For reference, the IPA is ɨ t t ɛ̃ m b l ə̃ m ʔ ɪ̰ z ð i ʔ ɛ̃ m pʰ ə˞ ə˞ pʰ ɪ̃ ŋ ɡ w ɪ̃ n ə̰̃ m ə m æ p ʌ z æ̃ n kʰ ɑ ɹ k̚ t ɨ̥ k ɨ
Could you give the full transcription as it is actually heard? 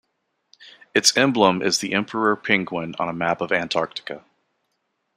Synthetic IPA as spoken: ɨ t s ɛ̃ m b l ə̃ m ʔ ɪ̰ z ð i ʔ ɛ̃ m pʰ ə˞ ə˞ pʰ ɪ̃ ŋ ɡ w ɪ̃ n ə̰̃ n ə m æ p ʌ v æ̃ n tʰ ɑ ɹ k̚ t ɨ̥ k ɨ